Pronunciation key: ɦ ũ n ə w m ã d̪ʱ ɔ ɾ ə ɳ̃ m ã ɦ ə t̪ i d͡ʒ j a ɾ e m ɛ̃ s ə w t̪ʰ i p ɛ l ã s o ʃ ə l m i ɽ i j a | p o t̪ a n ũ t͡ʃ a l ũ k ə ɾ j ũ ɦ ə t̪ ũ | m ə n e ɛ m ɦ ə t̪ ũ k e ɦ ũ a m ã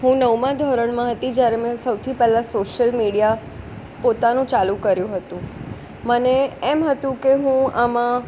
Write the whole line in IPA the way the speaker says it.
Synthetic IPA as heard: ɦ ũ n ə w m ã d̪ʱ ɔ ɾ ə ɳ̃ m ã ɦ ə t̪ i d͡ʒ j a ɾ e m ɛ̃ s ə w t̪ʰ i p ɛ l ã s o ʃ ə l m i ɽ i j a | p o t̪ a n ũ t͡ʃ a l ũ k ə ɾ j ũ ɦ ə t̪ ũ | m ə n e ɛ m ɦ ə t̪ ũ k e ɦ ũ a m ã